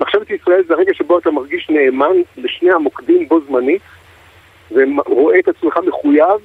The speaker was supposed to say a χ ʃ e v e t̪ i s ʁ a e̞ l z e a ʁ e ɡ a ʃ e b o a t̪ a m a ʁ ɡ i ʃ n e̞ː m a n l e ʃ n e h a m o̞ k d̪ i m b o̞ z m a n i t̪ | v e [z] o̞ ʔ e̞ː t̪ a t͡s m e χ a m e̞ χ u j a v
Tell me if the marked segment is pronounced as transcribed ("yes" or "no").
no